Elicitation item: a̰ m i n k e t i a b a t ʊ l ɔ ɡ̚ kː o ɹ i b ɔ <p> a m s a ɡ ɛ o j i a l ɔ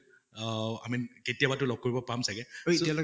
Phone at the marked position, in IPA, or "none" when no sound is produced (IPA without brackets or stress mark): p